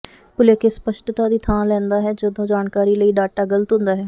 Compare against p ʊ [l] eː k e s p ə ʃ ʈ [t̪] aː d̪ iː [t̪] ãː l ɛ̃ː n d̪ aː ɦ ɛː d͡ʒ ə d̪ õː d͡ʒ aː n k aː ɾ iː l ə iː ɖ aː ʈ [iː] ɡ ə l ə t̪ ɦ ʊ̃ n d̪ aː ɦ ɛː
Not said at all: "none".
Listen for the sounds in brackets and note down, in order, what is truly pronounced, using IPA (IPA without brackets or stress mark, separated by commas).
l, t̪, t̪ʰ, aː